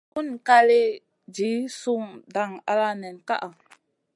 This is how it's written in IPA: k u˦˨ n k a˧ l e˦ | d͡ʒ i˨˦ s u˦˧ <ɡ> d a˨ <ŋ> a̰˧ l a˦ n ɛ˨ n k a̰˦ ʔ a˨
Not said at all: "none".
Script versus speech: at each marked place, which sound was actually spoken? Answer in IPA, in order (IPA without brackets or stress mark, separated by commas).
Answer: ŋ, ŋ